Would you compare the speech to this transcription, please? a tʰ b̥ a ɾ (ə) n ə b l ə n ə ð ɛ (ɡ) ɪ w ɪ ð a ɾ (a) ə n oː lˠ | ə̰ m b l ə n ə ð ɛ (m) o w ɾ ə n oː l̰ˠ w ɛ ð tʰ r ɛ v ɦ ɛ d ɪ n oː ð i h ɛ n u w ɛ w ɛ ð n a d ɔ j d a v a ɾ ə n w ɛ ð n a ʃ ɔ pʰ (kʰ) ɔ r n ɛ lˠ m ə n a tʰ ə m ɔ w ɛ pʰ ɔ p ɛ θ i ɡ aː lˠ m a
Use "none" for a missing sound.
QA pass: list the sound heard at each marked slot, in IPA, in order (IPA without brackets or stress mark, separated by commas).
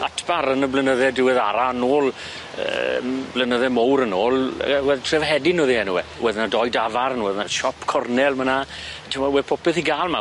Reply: ə, d, a, m, kʰ